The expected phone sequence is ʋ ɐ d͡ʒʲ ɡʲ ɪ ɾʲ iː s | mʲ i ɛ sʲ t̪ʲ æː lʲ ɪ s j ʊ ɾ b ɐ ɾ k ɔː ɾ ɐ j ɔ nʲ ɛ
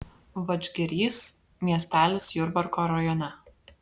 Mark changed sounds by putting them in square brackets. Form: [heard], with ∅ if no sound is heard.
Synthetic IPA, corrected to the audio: ʋ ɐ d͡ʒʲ ɡʲ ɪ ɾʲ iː s | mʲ i ɛ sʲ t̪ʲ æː lʲ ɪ s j ʊ ɾ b ɐ ɾ k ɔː ɾ ɐ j ɔ nʲ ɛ